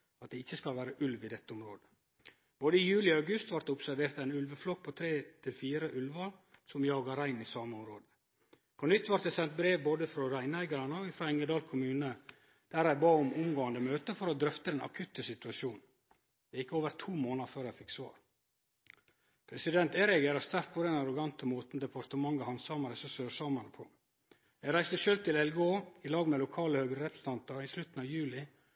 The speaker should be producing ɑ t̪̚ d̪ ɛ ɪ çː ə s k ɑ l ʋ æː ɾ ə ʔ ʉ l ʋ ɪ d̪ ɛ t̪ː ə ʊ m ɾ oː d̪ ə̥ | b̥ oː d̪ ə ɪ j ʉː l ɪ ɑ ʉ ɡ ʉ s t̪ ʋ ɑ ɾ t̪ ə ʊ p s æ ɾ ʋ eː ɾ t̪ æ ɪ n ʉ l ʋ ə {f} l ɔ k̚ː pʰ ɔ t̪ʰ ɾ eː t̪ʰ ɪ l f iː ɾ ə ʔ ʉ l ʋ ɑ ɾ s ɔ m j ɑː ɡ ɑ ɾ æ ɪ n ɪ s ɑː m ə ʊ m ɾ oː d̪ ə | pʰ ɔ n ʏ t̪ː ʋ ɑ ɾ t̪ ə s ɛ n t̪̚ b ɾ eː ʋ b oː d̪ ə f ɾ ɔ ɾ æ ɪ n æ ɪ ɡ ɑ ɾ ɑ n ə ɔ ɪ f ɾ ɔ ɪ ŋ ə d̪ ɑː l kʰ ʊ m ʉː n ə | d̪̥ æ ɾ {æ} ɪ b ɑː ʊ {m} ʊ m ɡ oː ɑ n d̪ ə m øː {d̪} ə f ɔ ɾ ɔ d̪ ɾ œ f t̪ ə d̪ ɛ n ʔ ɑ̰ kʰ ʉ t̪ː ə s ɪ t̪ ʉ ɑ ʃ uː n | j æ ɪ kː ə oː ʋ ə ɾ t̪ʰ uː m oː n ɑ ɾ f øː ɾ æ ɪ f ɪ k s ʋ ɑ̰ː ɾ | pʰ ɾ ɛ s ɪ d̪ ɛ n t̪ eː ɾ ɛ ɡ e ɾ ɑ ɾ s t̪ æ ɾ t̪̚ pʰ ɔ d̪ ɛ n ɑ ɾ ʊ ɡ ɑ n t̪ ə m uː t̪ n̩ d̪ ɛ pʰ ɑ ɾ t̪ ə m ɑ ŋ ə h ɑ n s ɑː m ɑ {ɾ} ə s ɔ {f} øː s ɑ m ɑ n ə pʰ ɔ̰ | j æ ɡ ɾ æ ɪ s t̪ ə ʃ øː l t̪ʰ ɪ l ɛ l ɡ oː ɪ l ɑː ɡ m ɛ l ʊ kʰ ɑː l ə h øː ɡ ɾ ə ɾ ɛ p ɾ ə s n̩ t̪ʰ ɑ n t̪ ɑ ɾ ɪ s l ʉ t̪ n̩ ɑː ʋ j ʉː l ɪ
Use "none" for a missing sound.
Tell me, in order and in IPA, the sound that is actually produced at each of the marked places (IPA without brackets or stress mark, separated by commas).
f, æ, m, t̪, ɾ, s